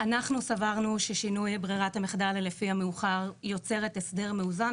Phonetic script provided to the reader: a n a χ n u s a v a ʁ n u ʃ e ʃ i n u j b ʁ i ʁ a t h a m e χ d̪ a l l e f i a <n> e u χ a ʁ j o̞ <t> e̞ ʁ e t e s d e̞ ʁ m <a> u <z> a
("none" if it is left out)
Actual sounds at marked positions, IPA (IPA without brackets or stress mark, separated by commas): m, t͡s, e, z